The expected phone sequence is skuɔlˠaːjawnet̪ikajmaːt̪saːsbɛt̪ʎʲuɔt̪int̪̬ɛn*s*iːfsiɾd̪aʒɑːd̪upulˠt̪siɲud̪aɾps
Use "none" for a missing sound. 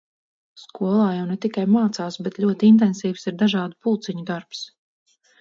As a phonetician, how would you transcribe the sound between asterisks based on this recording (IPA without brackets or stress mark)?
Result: s